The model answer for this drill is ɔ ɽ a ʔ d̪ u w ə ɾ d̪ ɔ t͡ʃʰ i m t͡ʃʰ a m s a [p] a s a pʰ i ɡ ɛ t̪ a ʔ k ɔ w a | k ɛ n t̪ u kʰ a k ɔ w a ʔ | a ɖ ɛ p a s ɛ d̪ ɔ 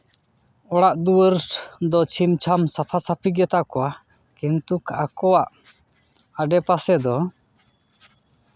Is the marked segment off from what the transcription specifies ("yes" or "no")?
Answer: yes